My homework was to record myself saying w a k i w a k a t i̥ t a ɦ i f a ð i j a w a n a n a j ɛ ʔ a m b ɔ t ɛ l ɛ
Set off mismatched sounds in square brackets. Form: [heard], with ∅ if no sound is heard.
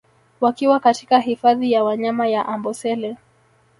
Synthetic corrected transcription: w a k i w a k a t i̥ [k] a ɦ i f a ð i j a w a [ɲ] a [m] a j [a] ʔ a m b ɔ [s] ɛ l ɛ